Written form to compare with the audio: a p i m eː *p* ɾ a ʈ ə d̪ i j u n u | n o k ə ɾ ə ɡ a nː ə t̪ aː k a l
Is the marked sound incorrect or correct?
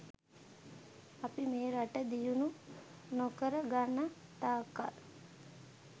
incorrect